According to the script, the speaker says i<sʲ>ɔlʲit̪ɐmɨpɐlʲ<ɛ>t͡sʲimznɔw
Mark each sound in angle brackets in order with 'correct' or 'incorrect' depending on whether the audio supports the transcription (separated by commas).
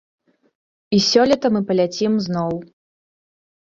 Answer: correct, incorrect